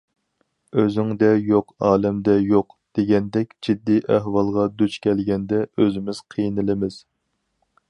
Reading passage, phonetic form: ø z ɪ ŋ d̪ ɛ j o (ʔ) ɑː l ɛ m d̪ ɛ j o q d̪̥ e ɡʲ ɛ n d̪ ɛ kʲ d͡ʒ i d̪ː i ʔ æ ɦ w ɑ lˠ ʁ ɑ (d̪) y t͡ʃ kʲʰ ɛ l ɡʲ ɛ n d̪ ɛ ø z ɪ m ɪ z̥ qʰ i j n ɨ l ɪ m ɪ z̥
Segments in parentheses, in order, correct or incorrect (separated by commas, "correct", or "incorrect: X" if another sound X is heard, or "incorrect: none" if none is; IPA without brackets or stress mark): incorrect: q, correct